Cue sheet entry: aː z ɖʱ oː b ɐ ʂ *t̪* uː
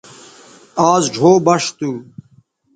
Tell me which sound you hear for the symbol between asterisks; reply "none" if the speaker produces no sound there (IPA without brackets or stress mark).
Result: t̪